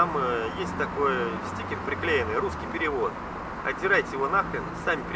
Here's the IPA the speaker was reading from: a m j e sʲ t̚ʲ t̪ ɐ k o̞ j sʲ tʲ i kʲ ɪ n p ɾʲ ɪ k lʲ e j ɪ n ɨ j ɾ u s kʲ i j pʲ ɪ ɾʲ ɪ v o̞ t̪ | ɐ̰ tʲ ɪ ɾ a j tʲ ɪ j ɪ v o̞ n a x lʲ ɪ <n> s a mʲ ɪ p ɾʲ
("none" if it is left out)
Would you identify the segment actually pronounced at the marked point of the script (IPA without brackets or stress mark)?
n